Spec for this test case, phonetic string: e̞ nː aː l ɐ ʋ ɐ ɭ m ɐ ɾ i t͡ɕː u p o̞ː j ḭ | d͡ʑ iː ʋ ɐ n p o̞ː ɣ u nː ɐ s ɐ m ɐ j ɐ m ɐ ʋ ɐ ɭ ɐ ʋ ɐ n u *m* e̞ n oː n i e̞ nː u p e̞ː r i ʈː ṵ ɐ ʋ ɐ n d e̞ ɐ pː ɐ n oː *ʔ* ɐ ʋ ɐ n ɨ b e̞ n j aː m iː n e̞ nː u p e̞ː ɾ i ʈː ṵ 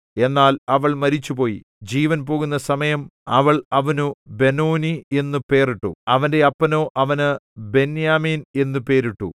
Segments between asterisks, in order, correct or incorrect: incorrect: b, correct

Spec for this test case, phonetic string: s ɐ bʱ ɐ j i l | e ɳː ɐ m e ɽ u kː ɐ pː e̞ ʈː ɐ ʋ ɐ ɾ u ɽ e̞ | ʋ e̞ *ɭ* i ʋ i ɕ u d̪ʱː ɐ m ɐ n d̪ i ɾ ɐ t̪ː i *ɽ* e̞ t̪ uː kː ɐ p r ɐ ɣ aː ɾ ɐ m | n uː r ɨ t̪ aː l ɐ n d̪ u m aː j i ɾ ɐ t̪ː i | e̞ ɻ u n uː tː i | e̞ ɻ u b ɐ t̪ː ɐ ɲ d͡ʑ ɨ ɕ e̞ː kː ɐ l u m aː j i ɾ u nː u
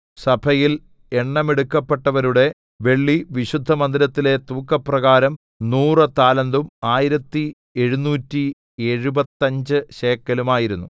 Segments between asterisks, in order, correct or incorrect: incorrect: ɭː, incorrect: l

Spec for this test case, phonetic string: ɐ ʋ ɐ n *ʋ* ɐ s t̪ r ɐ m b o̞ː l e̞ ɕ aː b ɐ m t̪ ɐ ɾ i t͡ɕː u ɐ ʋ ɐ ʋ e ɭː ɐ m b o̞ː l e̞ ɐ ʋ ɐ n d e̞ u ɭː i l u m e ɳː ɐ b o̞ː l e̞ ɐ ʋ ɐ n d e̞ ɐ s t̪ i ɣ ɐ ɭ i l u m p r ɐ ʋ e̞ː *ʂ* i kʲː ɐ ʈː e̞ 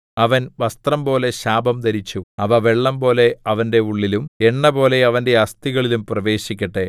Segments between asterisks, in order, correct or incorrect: correct, incorrect: ɕ

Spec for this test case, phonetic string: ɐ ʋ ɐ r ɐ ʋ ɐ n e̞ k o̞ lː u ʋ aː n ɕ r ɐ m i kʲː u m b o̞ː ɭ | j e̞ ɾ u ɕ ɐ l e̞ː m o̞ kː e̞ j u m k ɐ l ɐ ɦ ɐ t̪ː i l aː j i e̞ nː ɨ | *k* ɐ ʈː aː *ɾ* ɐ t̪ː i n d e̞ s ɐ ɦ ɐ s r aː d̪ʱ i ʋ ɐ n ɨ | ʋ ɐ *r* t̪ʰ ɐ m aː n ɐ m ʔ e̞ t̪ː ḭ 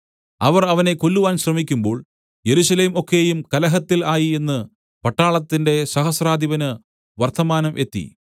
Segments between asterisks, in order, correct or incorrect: incorrect: p, incorrect: ɭ, correct

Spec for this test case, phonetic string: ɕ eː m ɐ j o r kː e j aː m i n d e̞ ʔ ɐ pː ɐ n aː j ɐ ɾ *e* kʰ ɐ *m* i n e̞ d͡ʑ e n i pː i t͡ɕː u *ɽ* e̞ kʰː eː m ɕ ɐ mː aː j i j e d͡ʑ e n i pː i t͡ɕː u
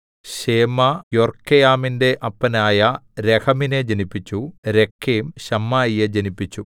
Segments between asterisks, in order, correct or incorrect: correct, correct, incorrect: ɾ

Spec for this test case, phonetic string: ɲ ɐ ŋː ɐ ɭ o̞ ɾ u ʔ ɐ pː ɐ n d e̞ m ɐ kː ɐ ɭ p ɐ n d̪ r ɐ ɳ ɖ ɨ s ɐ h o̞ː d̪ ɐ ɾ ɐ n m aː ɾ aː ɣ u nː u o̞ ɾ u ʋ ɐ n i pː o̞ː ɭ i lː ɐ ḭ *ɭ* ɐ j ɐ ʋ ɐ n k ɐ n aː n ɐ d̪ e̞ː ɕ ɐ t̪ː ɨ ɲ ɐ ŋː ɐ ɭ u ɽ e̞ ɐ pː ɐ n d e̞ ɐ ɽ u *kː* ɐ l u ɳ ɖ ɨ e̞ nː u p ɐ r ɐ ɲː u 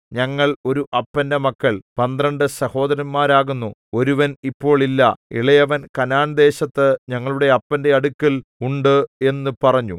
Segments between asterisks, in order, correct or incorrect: correct, correct

